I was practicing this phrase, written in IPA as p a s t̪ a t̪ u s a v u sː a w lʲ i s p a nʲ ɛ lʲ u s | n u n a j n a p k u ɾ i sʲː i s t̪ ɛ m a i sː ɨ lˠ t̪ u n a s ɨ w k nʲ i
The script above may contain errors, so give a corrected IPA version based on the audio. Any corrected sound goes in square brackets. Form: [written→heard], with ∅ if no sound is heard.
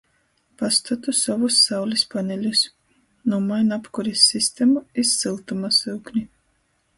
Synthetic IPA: p a s t̪ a t̪ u s a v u sː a w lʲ i s p a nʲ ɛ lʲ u s | n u [n→m] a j n a p k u ɾ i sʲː i s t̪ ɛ m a i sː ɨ lˠ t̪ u [n→m] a s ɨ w k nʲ i